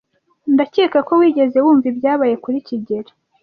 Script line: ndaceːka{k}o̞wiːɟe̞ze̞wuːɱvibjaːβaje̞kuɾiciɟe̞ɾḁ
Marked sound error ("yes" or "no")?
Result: no